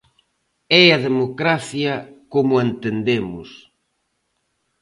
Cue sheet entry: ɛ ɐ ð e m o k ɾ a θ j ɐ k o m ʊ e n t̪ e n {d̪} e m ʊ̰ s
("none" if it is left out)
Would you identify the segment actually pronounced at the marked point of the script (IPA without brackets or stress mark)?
d̪